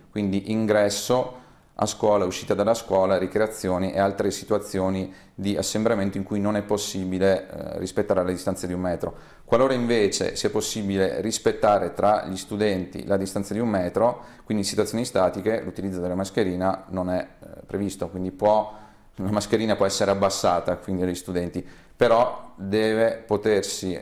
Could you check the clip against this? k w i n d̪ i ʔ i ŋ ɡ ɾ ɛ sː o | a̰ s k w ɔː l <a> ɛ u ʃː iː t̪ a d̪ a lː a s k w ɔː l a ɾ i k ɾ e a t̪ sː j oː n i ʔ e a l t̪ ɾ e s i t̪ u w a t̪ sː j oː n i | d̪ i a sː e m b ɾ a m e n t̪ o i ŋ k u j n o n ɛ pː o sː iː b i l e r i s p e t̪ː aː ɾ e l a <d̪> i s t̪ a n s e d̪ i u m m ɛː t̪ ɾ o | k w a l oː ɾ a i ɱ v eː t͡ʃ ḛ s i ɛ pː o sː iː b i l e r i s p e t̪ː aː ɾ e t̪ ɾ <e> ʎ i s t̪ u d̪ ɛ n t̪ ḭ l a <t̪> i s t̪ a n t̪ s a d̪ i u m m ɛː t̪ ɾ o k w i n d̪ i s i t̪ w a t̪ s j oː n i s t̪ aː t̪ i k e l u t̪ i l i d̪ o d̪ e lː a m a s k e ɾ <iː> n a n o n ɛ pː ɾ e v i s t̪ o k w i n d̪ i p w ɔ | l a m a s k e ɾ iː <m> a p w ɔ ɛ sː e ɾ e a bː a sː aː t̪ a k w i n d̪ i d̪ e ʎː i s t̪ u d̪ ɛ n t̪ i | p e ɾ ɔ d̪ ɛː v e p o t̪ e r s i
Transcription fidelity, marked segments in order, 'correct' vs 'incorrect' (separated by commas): correct, correct, incorrect, incorrect, correct, incorrect